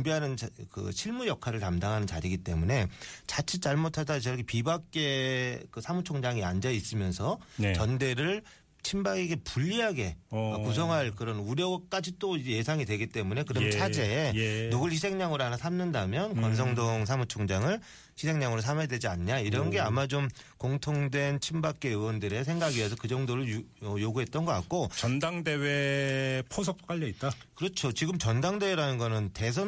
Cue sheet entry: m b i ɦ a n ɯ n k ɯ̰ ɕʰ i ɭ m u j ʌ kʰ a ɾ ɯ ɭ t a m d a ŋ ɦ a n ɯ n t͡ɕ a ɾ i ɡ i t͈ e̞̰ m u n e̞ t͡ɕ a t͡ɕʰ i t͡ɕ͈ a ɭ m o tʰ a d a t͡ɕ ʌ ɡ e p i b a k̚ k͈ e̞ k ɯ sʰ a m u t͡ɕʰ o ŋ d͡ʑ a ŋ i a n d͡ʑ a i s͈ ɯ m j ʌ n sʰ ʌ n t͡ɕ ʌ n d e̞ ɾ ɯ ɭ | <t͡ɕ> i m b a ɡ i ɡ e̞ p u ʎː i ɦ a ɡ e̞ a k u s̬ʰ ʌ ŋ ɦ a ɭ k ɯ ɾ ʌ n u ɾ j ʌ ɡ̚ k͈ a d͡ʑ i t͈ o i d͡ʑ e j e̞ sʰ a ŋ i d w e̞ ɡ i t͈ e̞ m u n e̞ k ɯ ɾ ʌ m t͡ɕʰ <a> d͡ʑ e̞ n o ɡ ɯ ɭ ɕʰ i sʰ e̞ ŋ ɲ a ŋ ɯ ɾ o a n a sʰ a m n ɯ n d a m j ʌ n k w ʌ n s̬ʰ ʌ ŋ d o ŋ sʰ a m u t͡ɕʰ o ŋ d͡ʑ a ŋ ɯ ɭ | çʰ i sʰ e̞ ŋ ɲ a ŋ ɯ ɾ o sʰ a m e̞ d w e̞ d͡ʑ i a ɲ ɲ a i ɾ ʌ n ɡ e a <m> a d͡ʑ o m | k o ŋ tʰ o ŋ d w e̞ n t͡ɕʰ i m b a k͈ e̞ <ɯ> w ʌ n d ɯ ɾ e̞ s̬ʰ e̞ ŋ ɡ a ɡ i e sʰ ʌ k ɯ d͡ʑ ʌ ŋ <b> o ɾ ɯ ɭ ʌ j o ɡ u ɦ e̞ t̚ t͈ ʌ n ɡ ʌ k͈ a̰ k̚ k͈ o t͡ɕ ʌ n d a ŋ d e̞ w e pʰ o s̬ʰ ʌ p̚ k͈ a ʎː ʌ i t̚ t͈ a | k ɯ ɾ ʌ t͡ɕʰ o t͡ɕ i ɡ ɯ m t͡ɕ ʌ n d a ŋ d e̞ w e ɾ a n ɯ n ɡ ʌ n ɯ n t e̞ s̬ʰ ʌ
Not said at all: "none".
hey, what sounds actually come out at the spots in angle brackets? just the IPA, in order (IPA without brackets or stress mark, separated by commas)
t͡ɕʰ, a, m, ɯ, d